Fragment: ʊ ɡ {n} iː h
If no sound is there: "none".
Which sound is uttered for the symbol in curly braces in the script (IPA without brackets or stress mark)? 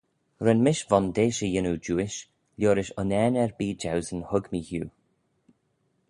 m